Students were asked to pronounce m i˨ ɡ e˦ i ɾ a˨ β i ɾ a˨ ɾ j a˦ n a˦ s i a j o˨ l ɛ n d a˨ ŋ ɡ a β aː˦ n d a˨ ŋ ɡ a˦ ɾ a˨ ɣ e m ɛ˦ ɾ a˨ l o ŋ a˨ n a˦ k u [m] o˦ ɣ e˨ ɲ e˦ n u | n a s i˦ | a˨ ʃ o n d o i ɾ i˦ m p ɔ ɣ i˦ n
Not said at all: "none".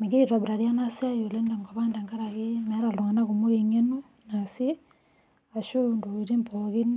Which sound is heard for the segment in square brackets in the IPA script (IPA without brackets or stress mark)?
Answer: m